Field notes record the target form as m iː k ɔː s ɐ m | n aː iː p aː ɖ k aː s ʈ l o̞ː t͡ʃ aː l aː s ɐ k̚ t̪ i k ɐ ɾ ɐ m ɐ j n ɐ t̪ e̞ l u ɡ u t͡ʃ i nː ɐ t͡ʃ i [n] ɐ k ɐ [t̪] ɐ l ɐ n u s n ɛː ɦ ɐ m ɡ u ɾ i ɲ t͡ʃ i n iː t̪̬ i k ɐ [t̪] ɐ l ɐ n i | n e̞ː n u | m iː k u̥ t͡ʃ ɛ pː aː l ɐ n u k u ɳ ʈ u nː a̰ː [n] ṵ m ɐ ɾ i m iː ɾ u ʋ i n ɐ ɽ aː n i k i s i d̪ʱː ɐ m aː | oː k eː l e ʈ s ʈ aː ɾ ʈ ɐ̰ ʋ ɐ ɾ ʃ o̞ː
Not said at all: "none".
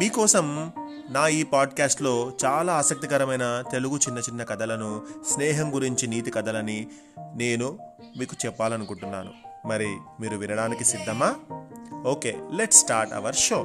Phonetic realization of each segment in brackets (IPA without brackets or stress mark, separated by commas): nː, d̪, d̪, n